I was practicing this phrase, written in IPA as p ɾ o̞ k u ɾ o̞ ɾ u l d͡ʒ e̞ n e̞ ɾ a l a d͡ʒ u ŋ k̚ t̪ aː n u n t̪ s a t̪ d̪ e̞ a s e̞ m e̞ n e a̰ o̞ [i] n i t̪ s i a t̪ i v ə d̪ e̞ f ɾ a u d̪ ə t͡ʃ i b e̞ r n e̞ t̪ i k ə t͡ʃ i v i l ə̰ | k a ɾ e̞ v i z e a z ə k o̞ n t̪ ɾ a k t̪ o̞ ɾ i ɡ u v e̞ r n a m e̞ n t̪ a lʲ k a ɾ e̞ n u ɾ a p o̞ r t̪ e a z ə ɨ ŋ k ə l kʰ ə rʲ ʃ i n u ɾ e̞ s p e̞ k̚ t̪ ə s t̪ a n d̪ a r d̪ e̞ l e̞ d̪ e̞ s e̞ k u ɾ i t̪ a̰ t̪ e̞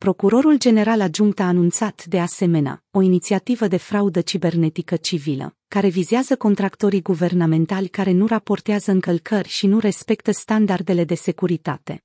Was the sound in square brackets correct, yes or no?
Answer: yes